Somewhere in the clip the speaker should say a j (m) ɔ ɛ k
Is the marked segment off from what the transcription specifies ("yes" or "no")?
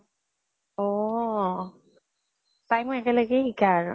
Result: no